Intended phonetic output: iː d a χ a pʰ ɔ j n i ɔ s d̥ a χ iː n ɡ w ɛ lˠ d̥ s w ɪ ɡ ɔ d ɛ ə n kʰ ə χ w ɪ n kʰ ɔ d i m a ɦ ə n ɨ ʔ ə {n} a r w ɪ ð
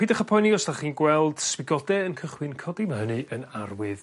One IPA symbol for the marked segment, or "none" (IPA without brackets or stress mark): n